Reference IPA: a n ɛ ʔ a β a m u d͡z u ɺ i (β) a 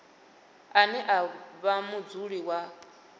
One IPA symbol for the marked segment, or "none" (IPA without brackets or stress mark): w